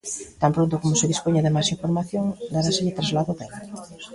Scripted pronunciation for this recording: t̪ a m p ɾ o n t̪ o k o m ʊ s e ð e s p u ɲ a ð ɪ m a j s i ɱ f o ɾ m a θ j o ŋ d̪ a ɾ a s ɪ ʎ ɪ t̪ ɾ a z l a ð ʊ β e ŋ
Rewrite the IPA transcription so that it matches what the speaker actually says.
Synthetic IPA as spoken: t̪ a m p ɾ o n t̪ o k o m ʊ s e ð i s p o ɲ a ð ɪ m a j s i ɱ f o ɾ m a θ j o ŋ d̪ a ɾ a s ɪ ʎ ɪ t̪ ɾ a z l a ð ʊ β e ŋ